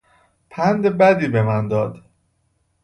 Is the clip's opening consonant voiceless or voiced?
voiceless